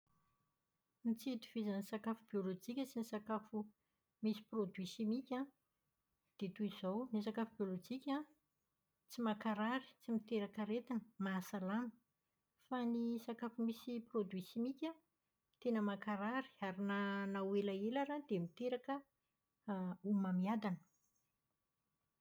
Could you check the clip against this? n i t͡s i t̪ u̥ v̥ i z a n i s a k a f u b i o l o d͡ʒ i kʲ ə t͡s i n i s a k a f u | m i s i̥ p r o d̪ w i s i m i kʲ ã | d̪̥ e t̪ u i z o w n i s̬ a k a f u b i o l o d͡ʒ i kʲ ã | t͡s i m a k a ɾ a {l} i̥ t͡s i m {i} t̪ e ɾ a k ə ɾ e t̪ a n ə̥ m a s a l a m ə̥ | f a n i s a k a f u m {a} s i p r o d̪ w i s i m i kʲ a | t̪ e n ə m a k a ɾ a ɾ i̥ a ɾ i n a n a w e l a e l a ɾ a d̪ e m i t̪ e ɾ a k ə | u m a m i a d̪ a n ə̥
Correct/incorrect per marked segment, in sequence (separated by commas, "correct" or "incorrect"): incorrect, correct, incorrect